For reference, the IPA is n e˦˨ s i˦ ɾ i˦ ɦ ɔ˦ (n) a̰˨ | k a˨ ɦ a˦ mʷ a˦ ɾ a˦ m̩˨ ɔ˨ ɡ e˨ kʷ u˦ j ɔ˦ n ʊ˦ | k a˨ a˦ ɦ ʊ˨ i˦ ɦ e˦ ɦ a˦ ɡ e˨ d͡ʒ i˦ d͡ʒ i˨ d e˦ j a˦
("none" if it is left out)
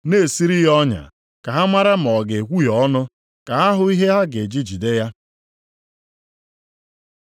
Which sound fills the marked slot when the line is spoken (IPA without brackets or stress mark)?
ɲ